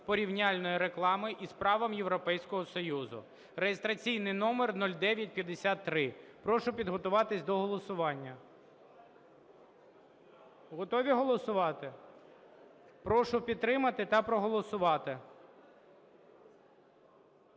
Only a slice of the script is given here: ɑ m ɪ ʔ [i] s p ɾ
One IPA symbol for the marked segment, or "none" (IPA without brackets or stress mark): i